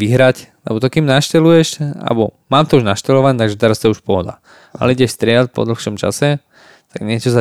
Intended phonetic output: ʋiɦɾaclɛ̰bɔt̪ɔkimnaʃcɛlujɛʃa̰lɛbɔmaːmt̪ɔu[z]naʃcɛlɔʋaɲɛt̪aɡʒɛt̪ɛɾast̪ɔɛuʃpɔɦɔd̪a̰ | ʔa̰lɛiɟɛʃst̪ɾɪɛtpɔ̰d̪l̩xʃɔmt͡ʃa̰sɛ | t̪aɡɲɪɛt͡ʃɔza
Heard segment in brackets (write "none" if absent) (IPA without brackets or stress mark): ʒ